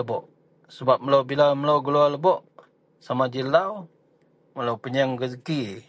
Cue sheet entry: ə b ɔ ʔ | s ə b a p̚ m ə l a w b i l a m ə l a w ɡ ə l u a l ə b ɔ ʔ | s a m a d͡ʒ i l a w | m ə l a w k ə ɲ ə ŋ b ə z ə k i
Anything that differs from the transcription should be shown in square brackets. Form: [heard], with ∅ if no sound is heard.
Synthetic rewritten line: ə b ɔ ʔ | s ə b a p̚ m ə l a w b i l a m ə l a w ɡ ə l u a l ə b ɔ ʔ | s a m a d͡ʒ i l a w | m ə l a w [p] ə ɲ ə ŋ [ɡ] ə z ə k i